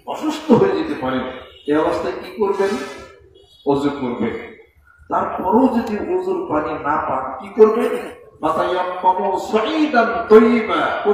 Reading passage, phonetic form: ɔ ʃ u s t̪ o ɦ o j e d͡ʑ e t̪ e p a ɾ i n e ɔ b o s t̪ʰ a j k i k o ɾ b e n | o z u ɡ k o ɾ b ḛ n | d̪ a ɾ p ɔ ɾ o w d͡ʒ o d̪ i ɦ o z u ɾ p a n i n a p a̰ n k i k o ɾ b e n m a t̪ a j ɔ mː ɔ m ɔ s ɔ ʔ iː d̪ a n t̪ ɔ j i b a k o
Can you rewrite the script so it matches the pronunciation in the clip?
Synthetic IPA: ɔ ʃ u s t̪ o ɦ o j e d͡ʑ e t̪ e p a ɾ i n e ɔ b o s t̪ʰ a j k i k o ɾ b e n | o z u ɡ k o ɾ b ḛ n | t̪ a ɾ p ɔ ɾ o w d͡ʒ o d̪ i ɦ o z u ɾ p a n i n a p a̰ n k i k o ɾ b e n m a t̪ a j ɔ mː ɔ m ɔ s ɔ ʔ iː d̪ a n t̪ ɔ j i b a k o